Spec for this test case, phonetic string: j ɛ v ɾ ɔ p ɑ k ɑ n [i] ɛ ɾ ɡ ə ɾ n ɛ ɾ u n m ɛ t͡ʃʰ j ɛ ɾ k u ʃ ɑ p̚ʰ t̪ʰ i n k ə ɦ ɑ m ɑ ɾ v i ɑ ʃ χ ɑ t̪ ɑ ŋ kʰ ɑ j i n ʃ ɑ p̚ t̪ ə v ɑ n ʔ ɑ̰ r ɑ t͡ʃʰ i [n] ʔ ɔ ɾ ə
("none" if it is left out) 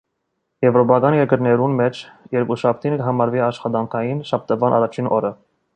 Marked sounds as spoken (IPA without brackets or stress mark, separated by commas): j, n